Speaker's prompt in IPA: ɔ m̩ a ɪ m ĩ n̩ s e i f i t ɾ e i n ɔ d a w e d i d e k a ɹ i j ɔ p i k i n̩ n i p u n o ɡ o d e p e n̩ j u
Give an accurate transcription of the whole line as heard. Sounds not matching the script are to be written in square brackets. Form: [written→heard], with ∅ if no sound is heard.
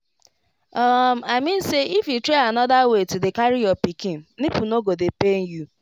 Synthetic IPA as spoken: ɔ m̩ a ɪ m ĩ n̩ s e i f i t ɾ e [i→a] n ɔ d a w e [d→t] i d e k a [ɹ→ɾ] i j ɔ p i k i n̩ n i p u n o ɡ o d e p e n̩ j u